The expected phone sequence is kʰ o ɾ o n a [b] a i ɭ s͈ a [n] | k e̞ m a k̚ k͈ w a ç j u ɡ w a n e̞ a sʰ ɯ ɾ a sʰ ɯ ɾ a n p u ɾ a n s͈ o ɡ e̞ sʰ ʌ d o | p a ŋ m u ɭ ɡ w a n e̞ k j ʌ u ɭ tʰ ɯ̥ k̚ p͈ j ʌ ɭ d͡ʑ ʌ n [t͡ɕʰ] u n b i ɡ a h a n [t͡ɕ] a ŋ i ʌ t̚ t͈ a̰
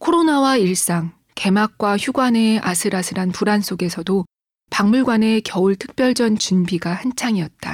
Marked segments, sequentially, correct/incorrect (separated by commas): incorrect, incorrect, incorrect, incorrect